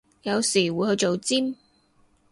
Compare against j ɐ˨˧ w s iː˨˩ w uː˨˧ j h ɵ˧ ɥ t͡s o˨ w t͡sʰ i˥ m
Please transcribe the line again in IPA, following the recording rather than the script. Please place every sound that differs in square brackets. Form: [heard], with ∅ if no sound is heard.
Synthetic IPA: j ɐ˨˧ w s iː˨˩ w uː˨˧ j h ɵ˧ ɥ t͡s o˨ w [t͡s] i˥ m